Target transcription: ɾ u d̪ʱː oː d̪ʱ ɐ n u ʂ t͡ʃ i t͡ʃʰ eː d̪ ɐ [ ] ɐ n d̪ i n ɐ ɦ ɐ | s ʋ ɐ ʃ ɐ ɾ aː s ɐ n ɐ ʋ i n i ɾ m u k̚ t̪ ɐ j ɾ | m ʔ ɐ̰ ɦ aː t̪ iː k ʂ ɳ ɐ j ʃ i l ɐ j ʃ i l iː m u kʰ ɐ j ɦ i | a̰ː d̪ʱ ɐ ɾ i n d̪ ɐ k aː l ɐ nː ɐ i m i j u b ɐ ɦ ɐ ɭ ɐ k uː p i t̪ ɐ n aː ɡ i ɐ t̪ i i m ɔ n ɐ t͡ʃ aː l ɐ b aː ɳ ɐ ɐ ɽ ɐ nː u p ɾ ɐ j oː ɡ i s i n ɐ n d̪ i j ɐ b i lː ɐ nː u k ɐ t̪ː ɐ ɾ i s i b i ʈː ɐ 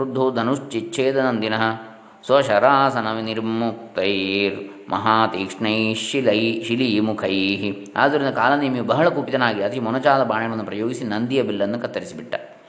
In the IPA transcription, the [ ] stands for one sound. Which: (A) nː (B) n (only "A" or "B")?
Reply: B